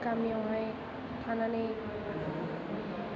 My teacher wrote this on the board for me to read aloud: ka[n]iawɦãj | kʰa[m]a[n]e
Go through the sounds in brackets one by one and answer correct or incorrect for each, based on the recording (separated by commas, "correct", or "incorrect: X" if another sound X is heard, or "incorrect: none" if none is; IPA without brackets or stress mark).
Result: incorrect: m, incorrect: n, correct